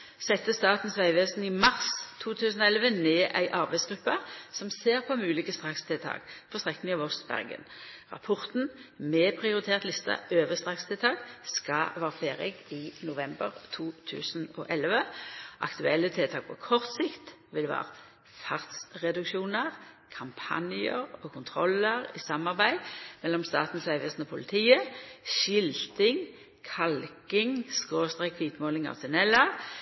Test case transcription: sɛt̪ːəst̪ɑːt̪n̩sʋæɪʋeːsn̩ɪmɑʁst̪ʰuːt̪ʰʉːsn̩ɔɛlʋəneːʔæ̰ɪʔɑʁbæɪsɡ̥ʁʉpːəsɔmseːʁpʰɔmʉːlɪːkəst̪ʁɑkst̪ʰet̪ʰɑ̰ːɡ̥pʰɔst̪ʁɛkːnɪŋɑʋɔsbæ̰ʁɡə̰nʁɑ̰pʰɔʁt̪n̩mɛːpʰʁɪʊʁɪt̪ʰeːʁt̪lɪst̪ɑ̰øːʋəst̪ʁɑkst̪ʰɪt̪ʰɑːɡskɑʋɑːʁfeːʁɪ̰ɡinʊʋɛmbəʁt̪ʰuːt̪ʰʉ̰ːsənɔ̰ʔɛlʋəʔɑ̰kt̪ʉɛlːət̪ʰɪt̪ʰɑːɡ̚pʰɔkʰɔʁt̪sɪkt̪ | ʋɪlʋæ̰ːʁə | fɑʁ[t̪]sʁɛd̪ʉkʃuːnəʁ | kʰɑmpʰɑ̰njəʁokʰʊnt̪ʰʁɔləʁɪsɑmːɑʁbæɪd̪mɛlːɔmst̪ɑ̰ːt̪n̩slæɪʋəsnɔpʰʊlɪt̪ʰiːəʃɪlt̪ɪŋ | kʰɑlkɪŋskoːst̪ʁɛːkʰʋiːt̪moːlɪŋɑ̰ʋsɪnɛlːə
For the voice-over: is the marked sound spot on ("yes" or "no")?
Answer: yes